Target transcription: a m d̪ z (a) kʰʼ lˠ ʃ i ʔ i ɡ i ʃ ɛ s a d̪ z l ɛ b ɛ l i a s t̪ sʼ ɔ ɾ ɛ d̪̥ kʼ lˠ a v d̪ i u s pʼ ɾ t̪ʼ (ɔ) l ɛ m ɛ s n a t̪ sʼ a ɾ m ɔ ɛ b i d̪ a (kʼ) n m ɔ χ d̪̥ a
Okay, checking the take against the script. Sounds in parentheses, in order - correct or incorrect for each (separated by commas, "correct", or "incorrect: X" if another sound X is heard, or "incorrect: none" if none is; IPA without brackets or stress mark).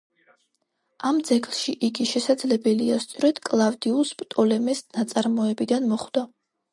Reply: incorrect: ɛ, correct, incorrect: none